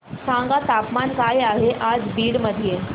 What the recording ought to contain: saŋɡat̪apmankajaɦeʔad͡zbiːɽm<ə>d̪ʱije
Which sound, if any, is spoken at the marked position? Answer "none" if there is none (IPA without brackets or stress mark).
ə